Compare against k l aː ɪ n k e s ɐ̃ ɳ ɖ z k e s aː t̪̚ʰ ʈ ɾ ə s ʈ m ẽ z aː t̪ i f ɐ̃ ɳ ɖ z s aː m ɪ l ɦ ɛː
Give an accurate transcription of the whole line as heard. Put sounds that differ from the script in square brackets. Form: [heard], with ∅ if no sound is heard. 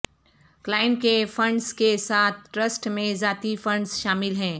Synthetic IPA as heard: k l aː ɪ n k e [f] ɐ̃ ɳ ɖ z k e s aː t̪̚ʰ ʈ ɾ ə s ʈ m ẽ z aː t̪ i f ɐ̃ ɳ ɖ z [ʃ] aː m ɪ l ɦ [ɛ̃ː]